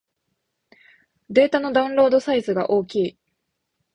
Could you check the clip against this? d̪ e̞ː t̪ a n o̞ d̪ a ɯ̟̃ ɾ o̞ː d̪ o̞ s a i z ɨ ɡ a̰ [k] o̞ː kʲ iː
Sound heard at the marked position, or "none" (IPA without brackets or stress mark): ʔ